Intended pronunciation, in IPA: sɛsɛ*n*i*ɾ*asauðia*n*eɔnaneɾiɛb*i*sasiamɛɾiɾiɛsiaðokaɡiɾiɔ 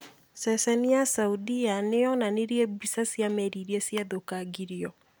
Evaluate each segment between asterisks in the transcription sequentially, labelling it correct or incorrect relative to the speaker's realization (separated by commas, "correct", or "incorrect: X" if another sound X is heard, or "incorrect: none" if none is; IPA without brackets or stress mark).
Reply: correct, incorrect: none, correct, correct